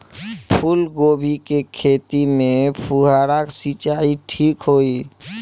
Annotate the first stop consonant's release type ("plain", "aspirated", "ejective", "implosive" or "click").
aspirated